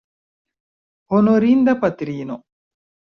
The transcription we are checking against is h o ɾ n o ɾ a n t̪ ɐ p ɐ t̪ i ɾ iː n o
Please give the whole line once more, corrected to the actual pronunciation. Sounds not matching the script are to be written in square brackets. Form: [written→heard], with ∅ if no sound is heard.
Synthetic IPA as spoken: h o [ɾ→∅] n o ɾ [a→i] n [t̪→d̪] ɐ p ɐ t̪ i ɾ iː n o